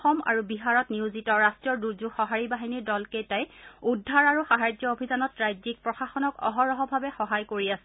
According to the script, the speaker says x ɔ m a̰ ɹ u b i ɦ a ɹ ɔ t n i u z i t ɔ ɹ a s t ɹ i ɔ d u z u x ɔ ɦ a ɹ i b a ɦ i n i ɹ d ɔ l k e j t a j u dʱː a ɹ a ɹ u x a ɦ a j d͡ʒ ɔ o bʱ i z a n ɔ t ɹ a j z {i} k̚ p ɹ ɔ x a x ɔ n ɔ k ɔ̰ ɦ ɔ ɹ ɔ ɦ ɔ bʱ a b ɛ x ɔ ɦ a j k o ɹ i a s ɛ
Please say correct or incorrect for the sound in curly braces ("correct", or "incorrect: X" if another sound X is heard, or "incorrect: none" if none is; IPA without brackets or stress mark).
correct